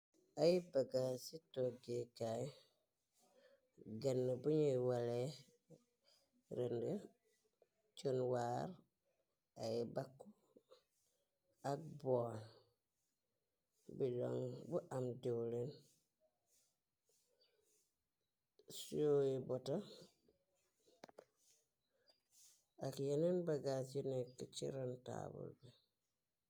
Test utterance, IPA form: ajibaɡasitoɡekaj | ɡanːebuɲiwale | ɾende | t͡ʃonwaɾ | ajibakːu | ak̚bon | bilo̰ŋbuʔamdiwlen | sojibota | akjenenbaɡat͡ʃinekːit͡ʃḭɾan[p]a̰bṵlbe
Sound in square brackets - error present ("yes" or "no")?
yes